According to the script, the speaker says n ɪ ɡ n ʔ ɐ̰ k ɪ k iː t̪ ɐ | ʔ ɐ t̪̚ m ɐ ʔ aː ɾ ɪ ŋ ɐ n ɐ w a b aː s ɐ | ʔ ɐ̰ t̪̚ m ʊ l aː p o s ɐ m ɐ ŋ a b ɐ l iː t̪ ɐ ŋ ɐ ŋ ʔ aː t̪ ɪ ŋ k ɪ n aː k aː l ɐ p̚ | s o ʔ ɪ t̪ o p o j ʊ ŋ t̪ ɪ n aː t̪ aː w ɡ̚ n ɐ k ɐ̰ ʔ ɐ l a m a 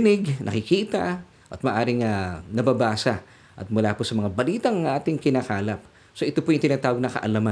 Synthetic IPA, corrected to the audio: n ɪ ɡ n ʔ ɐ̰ k ɪ k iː t̪ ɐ | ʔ ɐ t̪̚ m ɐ ʔ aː ɾ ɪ ŋ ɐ n ɐ b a b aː s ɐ | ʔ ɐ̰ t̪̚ m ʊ l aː p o s ɐ m ɐ ŋ a b ɐ l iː t̪ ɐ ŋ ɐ ŋ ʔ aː t̪ ɪ ŋ k ɪ n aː k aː l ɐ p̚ | s o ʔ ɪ t̪ o p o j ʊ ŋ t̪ ɪ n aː t̪ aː w ɡ̚ n ɐ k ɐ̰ ʔ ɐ l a m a